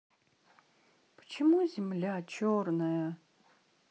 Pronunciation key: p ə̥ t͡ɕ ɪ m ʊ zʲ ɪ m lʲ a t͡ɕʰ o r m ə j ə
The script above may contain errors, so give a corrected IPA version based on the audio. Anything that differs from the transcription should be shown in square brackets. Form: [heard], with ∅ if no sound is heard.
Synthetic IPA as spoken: p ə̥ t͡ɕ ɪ m [u] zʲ ɪ m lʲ a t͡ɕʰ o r [n] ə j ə

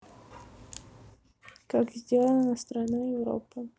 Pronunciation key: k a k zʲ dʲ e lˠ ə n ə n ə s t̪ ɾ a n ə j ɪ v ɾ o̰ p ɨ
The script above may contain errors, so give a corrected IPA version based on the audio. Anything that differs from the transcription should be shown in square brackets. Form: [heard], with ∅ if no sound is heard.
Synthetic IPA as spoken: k a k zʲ dʲ e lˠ ə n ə n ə s t̪ ɾ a n [a] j ɪ v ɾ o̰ p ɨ

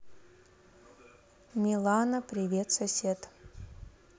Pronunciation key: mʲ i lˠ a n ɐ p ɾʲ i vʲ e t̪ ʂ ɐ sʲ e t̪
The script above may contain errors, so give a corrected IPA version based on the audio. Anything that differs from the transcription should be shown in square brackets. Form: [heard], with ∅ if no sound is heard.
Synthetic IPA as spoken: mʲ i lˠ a n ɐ p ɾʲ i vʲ e t̪ [s] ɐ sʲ e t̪

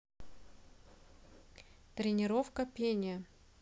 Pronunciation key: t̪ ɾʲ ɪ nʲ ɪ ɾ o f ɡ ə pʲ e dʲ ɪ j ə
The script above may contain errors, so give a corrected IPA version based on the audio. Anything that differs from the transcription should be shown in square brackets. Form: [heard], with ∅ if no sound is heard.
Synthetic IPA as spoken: t̪ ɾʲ ɪ nʲ ɪ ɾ o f [k] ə pʲ e [nʲ] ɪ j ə

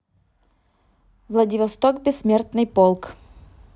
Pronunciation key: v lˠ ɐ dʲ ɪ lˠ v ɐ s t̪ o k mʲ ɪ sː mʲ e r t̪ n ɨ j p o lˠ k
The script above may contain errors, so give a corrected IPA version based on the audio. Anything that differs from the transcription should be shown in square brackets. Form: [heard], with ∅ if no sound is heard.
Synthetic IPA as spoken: v lˠ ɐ dʲ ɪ [∅] v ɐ s t̪ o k [bʲ] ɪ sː mʲ e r t̪ n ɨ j p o lˠ k

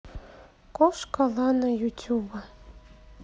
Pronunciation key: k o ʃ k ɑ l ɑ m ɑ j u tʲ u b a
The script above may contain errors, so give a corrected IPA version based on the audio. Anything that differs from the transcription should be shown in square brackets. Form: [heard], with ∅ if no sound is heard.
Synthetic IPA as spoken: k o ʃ k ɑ l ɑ [n] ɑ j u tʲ u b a

